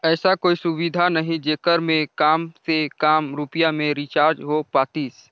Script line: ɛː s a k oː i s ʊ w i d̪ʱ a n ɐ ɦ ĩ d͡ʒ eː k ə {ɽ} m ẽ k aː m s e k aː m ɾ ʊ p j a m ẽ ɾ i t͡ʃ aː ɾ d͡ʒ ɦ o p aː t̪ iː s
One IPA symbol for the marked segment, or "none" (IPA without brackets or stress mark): ɾ